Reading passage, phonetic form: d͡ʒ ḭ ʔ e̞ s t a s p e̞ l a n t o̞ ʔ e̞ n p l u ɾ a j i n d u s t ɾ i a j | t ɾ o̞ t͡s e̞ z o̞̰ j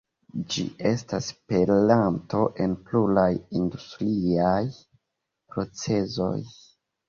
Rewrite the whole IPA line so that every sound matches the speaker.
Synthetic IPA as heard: d͡ʒ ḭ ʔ e̞ s t a s p e̞ l a n t o̞ ʔ e̞ n p l u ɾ a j i n d u s t ɾ i a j | p ɾ o̞ t͡s e̞ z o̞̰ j